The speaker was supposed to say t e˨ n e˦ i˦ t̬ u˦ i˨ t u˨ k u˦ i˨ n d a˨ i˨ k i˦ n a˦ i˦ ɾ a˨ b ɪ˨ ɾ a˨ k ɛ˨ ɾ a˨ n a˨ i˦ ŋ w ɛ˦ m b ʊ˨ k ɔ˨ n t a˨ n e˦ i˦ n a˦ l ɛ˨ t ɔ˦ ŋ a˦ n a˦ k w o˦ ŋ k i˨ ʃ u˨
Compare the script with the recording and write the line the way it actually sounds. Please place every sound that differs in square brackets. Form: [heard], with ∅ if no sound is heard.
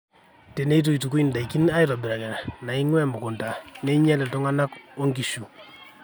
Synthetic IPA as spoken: t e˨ n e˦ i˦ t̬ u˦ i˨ t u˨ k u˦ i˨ n d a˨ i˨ k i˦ n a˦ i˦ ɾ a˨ b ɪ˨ ɾ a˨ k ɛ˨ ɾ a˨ n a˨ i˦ ŋ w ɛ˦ m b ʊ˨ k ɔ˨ n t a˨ n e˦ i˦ [ɲ] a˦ l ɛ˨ t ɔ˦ ŋ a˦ n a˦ k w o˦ ŋ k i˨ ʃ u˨